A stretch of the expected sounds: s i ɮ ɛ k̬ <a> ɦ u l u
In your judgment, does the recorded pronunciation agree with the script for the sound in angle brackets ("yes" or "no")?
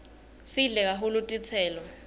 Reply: yes